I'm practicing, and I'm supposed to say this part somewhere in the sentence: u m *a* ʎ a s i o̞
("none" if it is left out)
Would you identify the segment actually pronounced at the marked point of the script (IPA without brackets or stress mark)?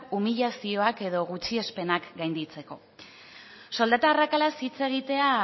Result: i